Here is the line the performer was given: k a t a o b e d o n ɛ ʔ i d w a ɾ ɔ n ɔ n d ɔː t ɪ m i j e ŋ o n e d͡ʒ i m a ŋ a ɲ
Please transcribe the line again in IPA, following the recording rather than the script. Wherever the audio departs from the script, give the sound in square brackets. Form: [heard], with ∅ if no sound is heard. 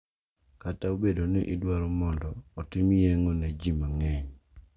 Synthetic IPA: k a t a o b e d o n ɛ ʔ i d w a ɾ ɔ [m] ɔ n d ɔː t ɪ m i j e ŋ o n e d͡ʒ i m a ŋ [ɛ] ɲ